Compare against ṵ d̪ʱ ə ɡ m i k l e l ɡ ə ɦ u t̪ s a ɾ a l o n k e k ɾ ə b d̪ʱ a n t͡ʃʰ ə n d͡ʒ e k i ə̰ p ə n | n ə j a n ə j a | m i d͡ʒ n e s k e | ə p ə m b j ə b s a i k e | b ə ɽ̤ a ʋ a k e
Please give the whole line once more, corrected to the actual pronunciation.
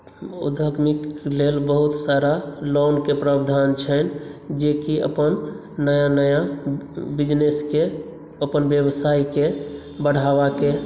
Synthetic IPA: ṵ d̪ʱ ə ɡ m i k l e l b ə ɦ u t̪ s a ɾ a l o n k e p ɾ ə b d̪ʱ a n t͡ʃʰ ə n d͡ʒ e k i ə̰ p ə n | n ə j a n ə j a | b i d͡ʒ n e s k e | ə p ə n b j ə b s a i k e | b ə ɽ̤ a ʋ a k e